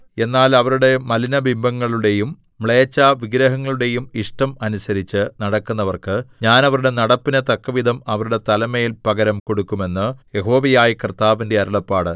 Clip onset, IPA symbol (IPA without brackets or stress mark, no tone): e̞